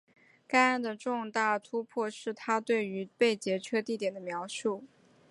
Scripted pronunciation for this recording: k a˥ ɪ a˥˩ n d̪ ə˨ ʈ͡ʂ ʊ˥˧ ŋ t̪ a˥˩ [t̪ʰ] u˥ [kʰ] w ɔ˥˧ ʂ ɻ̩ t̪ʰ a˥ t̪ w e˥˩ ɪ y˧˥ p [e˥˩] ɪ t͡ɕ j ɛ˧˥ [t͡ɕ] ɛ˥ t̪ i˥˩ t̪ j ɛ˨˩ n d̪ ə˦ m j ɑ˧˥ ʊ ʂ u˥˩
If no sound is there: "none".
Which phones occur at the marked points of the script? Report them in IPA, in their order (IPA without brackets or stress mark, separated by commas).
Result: t̪ʰ, pʰ, e˥˩, t͡ɕʰ